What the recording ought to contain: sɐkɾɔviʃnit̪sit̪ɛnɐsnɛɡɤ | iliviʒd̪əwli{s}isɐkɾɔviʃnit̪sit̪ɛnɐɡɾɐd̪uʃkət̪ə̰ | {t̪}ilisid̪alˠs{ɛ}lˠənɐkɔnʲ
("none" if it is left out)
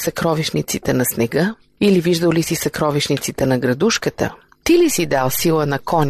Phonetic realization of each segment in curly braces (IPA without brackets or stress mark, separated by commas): s, t̪, i